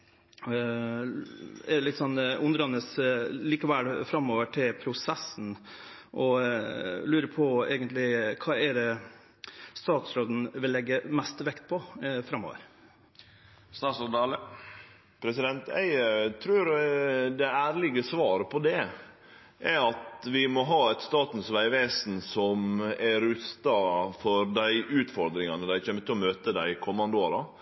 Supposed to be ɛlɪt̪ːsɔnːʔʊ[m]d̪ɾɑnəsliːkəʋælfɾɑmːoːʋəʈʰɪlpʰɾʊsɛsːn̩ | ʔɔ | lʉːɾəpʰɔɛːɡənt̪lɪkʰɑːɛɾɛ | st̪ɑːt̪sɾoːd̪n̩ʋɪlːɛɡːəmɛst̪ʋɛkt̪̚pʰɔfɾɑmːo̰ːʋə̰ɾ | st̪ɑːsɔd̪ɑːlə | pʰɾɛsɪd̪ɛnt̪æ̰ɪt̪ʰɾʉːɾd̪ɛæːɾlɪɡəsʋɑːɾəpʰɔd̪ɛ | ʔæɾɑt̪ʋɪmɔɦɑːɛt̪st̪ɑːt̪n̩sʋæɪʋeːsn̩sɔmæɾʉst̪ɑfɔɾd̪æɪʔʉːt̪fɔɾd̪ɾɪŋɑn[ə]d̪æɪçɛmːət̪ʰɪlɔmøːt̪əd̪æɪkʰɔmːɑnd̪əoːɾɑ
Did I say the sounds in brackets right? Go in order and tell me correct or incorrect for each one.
incorrect: n, correct

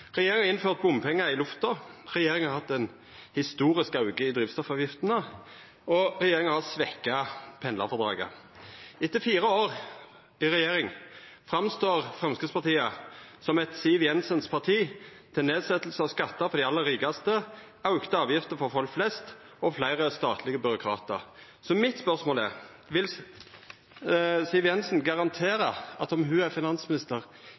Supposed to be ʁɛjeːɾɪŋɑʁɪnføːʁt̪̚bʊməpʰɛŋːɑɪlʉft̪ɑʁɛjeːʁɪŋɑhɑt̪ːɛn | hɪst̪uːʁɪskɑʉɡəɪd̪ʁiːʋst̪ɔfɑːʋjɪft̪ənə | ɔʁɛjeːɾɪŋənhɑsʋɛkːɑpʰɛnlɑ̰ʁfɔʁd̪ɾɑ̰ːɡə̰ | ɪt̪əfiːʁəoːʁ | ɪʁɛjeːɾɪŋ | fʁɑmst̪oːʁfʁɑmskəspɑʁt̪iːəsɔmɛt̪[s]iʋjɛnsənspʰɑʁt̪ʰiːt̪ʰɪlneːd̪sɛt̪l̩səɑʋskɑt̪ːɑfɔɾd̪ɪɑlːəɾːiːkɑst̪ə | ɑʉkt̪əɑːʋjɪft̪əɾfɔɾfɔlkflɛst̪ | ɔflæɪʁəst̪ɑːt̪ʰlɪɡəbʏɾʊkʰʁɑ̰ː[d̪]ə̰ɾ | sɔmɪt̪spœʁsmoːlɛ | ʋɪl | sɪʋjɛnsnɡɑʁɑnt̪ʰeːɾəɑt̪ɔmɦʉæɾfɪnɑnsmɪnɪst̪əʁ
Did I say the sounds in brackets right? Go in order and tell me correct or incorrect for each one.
correct, incorrect: t̪

